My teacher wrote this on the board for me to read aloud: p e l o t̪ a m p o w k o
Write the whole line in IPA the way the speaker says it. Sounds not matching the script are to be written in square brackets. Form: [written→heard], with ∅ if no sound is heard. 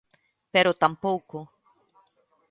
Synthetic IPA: p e [l→ɾ] o t̪ a m p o w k o